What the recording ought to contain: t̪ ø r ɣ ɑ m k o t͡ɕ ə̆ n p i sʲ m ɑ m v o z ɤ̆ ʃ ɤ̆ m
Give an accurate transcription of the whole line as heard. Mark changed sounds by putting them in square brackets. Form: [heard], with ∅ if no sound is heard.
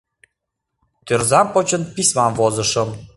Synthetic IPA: t̪ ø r [z] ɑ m [p] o t͡ɕ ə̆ n p i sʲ m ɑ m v o z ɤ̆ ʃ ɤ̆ m